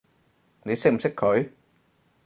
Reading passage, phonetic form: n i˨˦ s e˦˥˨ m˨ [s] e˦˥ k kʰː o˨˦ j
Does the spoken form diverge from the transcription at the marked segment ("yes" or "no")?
no